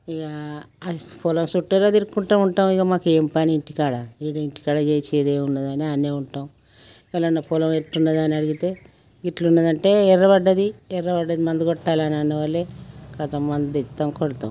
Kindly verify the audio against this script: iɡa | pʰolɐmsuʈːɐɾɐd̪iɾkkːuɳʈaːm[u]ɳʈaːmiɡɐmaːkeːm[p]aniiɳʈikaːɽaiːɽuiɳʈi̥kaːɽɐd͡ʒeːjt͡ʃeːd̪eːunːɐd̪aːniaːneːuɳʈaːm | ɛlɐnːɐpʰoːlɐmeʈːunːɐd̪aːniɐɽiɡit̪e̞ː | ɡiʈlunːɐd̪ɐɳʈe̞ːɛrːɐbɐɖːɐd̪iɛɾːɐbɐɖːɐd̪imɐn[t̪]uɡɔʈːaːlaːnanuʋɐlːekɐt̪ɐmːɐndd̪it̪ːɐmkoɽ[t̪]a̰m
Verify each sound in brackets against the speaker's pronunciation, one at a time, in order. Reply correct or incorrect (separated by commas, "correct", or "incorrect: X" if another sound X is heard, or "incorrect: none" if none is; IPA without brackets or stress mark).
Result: correct, correct, incorrect: d̪, correct